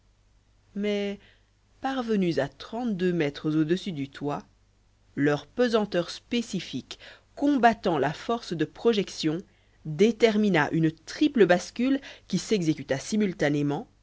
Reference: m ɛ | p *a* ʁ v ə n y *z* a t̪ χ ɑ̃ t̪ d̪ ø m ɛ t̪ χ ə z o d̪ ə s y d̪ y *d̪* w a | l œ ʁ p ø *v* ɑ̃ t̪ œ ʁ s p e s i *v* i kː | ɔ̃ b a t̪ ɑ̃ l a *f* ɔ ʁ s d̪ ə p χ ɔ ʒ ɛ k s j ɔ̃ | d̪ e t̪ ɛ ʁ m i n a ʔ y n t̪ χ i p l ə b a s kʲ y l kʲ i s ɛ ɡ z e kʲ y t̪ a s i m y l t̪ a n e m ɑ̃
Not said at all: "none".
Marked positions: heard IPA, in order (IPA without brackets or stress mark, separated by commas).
a, z, t̪, z, f, f